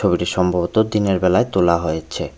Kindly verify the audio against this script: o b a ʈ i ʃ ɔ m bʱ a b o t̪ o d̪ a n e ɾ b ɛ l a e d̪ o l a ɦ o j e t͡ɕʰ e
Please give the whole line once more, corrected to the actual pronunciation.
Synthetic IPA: o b i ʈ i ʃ ɔ m bʱ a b o t̪ o d̪ i n e ɾ b ɛ l a e t̪ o l a ɦ o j e t͡ɕʰ e